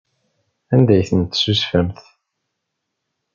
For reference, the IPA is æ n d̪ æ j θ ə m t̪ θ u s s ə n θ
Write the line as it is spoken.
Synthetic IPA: æ n d̪ æ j θ ə n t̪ s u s f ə m θ